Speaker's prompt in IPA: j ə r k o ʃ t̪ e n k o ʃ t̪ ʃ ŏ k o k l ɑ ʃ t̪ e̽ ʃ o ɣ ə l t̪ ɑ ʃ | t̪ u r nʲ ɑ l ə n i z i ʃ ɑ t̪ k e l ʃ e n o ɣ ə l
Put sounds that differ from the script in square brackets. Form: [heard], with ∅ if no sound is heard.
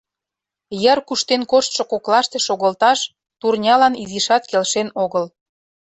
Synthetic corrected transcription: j ə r k [u] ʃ t̪ e n k o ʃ t̪ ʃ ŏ k o k l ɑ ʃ t̪ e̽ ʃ o ɣ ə l t̪ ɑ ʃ | t̪ u r nʲ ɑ l [ɑ] n i z i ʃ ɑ t̪ k e l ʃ e n o ɣ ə l